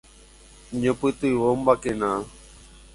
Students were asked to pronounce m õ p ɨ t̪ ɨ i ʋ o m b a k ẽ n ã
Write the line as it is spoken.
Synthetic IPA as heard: ɲ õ p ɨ t̪ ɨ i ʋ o m b a k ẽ n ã